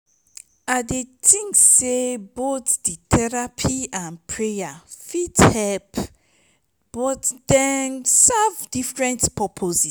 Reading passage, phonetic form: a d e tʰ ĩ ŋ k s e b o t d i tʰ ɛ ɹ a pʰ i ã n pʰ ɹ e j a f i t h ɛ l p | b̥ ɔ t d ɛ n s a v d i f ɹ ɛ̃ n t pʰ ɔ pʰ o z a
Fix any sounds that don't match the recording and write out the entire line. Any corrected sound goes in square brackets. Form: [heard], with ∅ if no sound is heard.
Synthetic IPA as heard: a d e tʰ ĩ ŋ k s e b o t d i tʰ ɛ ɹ a pʰ i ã n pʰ ɹ e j a f i t h ɛ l p | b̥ ɔ t d ɛ n s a v d i f ɹ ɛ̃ n t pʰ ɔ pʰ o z [i]